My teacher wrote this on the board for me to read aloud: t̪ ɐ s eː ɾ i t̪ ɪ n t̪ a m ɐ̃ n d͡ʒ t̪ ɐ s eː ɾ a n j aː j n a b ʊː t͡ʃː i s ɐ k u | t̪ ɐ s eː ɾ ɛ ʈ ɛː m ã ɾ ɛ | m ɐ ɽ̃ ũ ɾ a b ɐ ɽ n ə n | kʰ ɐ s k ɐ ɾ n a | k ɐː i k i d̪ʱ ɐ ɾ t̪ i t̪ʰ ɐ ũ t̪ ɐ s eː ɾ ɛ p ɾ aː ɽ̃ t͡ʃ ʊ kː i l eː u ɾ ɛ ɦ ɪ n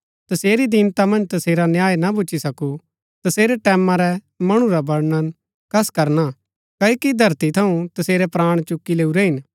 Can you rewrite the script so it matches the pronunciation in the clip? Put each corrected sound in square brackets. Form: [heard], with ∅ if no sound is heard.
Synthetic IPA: t̪ ɐ s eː ɾ i [d̪] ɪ n t̪ a m ɐ̃ n d͡ʒ t̪ ɐ s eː ɾ a n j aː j n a b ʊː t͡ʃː i s ɐ k u | t̪ ɐ s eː ɾ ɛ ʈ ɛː m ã ɾ ɛ | m ɐ ɽ̃ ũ ɾ a b ɐ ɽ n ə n | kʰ ɐ s k ɐ ɾ n a | k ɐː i k i d̪ʱ ɐ ɾ t̪ i t̪ʰ ɐ ũ t̪ ɐ s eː ɾ ɛ p ɾ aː ɽ̃ t͡ʃ ʊ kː i l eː u ɾ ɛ ɦ ɪ n